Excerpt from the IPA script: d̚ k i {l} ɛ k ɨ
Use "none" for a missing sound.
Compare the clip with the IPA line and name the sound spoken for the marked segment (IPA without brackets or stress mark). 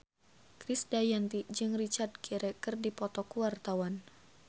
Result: ɾ